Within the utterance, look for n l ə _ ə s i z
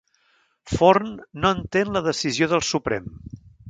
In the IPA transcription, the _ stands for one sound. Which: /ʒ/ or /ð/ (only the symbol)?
ð